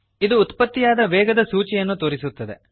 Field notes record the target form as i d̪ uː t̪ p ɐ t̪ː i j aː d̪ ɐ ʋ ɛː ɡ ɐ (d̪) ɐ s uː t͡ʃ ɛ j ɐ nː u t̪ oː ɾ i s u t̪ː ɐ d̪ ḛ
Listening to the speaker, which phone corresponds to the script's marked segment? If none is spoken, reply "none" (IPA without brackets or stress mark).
d̪